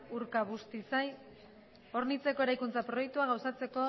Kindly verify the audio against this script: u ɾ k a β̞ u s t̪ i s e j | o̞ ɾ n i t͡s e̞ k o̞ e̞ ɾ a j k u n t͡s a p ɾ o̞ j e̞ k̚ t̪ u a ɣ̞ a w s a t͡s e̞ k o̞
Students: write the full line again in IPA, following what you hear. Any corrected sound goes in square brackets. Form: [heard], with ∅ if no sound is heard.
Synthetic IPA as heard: u ɾ k a β̞ u s t̪ i s [a] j | o̞ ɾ n i t͡s e̞ k o̞ e̞ ɾ a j k u n t͡s a p ɾ o̞ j e̞ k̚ t̪ u a ɣ̞ a w s a t͡s e̞ k o̞